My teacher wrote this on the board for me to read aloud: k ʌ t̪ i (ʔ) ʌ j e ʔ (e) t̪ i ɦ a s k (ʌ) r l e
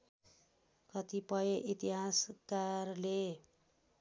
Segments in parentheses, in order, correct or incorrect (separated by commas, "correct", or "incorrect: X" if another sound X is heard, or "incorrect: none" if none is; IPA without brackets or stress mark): incorrect: p, incorrect: i, incorrect: a